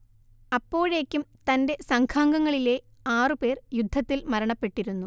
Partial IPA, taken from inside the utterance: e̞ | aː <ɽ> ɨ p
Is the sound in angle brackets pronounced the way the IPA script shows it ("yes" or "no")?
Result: no